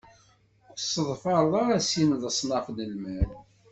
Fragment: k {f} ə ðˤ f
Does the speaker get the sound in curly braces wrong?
yes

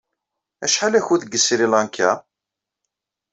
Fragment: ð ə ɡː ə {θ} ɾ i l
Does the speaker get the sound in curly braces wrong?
yes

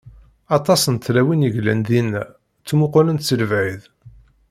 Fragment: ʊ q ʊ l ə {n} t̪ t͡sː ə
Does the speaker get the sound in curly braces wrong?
no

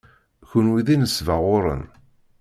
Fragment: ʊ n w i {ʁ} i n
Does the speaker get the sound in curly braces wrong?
yes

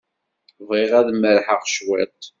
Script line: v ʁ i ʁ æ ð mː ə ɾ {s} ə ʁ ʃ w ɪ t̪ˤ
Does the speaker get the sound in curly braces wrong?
yes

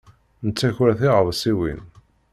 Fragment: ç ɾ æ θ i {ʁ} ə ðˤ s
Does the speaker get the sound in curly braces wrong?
no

